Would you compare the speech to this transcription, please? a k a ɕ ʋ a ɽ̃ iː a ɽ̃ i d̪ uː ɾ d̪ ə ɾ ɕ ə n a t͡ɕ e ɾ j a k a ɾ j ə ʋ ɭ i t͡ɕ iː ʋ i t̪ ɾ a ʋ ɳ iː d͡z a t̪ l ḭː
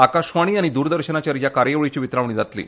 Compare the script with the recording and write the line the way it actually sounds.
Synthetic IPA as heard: a k a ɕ ʋ a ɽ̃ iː a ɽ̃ i d̪ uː ɾ d̪ ə ɾ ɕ ə n a t͡ɕ a ɾ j a k a ɾ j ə ʋ ɭ i t͡ɕ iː ʋ i t̪ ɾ a ʋ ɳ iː d͡z a t̪ l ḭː